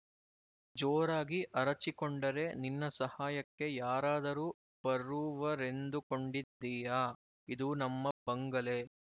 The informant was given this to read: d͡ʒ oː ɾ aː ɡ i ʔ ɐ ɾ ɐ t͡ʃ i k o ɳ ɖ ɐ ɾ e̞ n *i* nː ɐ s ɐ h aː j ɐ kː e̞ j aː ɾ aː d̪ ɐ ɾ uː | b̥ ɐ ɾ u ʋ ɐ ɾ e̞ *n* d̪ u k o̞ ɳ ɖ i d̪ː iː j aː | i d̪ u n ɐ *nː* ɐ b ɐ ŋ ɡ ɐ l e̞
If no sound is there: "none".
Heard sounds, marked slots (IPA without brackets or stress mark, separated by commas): i, n, mː